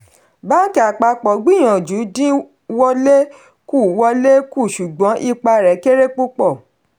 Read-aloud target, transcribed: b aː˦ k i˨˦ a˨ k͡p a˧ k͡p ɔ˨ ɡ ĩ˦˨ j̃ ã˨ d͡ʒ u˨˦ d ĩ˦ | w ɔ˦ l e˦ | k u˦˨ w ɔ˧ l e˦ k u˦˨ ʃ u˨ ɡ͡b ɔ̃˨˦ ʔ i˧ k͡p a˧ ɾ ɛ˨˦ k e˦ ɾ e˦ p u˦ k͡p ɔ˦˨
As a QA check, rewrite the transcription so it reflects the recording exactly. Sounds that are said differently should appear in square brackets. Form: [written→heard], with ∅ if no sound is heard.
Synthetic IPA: b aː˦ k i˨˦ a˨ k͡p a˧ k͡p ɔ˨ [ɡ→ɡ͡b] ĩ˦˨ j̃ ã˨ d͡ʒ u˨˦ d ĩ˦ | w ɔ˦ l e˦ | k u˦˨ w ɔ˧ l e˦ k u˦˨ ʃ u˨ ɡ͡b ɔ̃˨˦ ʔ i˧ k͡p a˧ ɾ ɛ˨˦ k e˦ ɾ e˦ [p→k͡p] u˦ k͡p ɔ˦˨